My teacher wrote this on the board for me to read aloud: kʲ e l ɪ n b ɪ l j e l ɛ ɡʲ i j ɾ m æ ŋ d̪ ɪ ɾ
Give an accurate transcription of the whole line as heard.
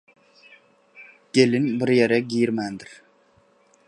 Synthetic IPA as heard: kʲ e l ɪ n b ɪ ɾ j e ɾ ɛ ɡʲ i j ɾ m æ n d̪ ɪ ɾ